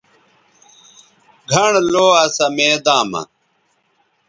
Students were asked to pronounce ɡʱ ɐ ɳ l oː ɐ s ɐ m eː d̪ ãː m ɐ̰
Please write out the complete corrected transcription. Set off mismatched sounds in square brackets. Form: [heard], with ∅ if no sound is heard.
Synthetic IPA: ɡʱ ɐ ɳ l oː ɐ s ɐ m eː d̪ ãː m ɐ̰